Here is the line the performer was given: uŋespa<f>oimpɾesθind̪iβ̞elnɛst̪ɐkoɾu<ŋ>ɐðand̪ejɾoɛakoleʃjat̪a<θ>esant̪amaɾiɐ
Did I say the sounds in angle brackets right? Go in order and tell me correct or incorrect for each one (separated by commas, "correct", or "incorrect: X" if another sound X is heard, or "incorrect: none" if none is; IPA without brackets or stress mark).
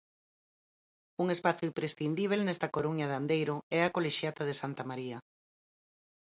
incorrect: θ, incorrect: ɲ, incorrect: ð